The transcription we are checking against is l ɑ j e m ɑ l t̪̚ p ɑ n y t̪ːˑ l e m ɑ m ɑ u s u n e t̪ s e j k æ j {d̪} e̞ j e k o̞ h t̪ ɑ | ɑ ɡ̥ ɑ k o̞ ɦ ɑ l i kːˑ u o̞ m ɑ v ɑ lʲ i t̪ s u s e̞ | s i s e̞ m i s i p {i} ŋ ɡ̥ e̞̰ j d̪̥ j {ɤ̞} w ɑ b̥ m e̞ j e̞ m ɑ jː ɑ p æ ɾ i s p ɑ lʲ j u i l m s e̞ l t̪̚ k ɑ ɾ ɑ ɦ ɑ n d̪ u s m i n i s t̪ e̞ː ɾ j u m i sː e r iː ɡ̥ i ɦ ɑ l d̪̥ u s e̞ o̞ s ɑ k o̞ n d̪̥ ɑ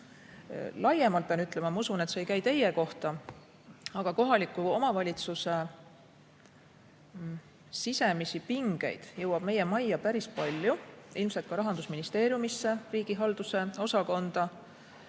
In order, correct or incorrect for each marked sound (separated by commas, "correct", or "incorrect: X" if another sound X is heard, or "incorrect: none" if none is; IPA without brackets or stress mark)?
incorrect: t̪, correct, correct